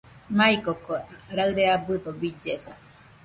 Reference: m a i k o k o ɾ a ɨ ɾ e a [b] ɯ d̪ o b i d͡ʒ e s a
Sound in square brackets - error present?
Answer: no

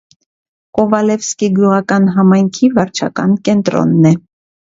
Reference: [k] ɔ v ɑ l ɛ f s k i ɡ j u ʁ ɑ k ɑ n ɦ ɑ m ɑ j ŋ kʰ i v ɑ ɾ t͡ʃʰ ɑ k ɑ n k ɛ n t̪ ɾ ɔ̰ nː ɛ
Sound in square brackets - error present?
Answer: no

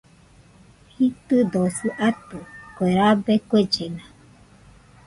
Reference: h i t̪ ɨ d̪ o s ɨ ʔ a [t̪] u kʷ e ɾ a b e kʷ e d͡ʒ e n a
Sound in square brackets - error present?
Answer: no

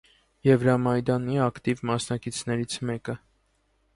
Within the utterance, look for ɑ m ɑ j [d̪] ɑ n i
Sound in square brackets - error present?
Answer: no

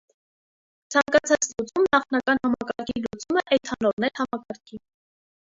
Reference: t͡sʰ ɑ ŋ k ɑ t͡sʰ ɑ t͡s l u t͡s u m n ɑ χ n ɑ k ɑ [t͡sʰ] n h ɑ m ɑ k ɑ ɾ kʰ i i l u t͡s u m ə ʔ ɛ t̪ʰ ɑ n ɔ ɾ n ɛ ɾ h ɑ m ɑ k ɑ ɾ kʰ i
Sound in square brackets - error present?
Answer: yes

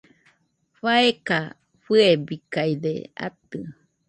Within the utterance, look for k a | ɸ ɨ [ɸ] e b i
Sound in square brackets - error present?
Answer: yes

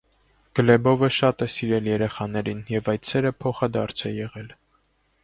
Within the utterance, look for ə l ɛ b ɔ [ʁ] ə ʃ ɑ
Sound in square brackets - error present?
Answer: yes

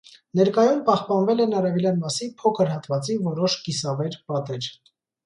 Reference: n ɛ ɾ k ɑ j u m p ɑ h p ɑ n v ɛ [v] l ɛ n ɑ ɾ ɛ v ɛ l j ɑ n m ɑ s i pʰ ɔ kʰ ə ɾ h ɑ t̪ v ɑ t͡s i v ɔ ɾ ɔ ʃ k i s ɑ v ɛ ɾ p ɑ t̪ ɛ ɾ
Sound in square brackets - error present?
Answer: yes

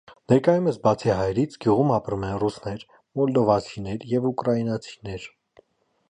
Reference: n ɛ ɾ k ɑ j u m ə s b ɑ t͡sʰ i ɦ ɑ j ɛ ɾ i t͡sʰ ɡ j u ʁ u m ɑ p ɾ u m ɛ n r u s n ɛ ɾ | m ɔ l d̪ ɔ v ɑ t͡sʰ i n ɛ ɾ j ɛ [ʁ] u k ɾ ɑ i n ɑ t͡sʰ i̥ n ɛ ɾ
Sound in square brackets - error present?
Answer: yes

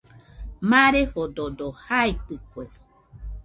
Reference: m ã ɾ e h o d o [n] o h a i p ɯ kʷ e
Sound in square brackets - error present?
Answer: yes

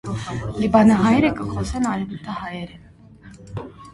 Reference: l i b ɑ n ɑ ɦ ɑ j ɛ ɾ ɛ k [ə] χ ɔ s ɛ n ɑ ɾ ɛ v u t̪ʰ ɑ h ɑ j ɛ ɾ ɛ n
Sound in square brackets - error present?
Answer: no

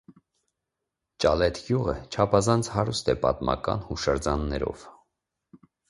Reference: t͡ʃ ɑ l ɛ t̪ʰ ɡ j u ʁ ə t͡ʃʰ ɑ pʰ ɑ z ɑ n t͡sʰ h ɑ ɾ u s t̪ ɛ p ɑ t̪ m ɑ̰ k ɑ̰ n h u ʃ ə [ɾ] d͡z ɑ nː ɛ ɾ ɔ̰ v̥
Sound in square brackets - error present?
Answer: no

